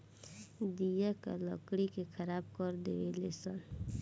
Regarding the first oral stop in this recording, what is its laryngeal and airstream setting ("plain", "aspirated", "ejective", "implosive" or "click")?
plain